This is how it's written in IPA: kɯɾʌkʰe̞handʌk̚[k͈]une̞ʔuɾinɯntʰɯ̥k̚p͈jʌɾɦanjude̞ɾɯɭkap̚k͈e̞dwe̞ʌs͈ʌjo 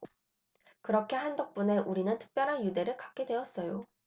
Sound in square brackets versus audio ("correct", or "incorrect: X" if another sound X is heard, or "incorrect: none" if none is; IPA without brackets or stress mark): incorrect: p͈